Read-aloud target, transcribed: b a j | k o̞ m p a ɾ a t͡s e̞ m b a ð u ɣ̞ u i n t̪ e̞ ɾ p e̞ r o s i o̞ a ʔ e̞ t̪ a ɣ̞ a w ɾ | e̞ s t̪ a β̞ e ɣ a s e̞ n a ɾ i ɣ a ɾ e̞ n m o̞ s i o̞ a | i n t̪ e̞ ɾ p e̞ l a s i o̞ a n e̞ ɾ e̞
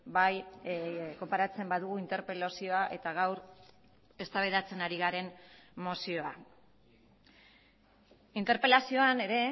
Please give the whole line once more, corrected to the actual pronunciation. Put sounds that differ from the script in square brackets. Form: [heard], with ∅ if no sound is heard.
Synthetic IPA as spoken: b a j | k o̞ m p a ɾ a t͡s e̞ m b a ð u ɣ̞ u i n t̪ e̞ ɾ p e̞ [l] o s i o̞ a ʔ e̞ t̪ a ɣ̞ a w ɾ | e̞ s t̪ a β̞ e [ð] a [t͡s] e̞ n a ɾ i ɣ a ɾ e̞ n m o̞ s i o̞ a | i n t̪ e̞ ɾ p e̞ l a s i o̞ a n e̞ ɾ e̞